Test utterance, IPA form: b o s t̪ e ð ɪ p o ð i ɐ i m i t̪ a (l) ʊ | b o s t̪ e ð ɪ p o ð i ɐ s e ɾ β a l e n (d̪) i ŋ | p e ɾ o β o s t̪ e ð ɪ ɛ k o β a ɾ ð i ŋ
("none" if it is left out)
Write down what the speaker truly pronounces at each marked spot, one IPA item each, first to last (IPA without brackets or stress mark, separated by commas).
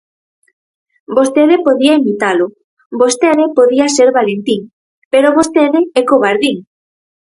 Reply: l, t̪